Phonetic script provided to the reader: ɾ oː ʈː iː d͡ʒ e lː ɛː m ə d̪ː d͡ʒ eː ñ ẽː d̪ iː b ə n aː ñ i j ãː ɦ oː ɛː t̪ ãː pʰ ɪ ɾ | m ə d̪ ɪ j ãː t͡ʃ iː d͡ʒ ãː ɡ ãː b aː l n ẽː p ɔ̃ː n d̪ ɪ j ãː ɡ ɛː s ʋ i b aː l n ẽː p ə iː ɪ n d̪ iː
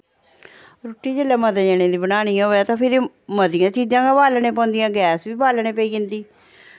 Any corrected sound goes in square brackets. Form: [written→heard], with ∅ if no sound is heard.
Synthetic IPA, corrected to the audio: ɾ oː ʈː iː d͡ʒ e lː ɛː m ə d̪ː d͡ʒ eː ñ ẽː d̪ iː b ə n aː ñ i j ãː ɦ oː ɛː t̪ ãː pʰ ɪ ɾ | m ə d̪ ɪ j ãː t͡ʃ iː d͡ʒ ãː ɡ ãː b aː l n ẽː p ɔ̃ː n d̪ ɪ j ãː ɡ ɛː s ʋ [i→iː] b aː l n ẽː p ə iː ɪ n d̪ iː